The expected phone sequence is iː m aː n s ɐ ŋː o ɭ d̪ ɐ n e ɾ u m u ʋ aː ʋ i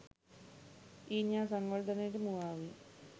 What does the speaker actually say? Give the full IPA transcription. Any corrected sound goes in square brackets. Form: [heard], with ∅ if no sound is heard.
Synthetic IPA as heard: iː [ɲ] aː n s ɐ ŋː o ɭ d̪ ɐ n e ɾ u m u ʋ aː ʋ i

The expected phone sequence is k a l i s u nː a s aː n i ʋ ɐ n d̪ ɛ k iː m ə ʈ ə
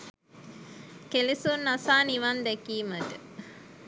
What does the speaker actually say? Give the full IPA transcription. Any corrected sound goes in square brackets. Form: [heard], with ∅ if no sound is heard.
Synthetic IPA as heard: k [e] l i s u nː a s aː n i ʋ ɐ n d̪ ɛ k iː m ə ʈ ə

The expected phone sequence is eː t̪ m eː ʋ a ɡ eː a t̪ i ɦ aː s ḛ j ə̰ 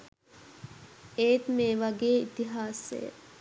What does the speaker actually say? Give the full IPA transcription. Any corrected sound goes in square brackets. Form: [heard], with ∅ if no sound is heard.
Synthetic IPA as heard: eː t̪ m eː ʋ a ɡ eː [i] t̪ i ɦ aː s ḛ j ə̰

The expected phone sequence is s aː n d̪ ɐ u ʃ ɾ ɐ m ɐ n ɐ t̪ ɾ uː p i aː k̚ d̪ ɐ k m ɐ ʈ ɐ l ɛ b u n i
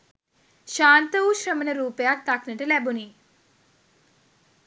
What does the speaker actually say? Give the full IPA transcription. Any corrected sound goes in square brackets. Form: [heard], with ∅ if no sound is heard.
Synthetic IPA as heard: [ʃ] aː n [t̪] ɐ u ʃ ɾ ɐ m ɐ n ɐ [∅] ɾ uː p [j] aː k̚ [t̪] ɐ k [n] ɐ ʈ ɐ l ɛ b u n i

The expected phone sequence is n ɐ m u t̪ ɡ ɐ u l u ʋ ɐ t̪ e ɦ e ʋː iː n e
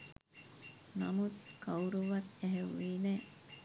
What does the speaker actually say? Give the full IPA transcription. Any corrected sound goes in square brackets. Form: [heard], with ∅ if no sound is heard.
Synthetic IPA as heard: n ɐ m u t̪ [k] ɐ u [ɾ] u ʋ ɐ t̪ e ɦ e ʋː iː n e

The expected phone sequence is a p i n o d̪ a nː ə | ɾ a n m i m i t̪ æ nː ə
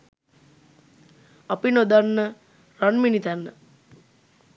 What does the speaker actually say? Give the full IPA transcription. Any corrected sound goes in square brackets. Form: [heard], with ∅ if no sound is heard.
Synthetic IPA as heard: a p i n o d̪ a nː ə | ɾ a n m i [n] i t̪ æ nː ə

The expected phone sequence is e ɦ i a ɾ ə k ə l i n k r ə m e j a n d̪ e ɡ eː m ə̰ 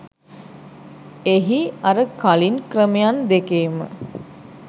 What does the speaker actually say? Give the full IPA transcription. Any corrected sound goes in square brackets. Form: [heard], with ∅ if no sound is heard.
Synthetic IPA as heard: e ɦ i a ɾ ə k [a] l i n k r ə m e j a n d̪ e [k] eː m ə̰

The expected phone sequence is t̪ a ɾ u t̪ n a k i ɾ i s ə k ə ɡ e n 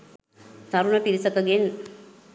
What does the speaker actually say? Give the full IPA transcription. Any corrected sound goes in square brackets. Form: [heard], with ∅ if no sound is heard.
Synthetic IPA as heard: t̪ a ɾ u [∅] n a [p] i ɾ i s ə k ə ɡ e n

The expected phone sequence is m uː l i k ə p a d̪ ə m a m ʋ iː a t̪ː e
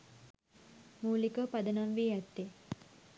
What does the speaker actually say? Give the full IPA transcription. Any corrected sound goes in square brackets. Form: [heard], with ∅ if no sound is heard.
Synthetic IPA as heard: m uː l i k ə p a d̪ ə [n] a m ʋ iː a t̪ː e

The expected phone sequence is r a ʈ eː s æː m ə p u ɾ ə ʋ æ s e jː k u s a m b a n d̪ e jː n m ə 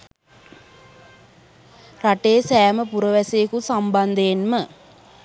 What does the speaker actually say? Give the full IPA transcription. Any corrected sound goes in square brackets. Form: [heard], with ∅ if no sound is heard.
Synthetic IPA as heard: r a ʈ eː s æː m ə p u ɾ ə ʋ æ s e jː k u s a m b a n d̪ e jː n m ə

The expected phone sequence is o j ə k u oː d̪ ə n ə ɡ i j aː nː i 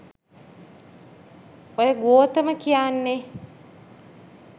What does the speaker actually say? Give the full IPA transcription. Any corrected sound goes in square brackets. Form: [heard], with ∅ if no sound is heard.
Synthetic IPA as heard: o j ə [ɡ] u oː [t̪] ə [m] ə [k] i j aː nː [e]

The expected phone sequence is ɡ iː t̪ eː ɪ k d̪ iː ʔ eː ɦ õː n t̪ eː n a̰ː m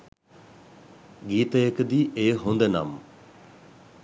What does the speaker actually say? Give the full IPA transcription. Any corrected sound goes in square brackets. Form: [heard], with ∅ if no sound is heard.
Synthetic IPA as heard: ɡ iː t̪ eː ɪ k d̪ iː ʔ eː ɦ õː n [d̪] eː n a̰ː m

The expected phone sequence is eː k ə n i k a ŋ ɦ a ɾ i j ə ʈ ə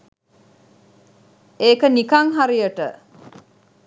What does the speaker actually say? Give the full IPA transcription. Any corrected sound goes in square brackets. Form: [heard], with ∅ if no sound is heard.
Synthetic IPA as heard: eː k ə n i k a ŋ ɦ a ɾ i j ə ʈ ə

